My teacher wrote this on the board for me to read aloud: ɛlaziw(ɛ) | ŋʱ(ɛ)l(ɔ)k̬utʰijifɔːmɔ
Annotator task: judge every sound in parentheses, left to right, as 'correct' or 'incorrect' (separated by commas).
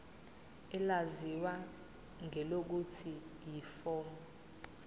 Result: incorrect, correct, incorrect